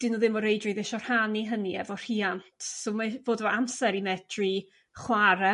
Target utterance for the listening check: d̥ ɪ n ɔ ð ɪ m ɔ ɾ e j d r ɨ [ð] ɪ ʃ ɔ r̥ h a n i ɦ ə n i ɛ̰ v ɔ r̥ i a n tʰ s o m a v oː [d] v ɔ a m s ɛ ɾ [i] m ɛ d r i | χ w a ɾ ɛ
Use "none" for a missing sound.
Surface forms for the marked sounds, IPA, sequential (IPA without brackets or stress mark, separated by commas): ð, d, i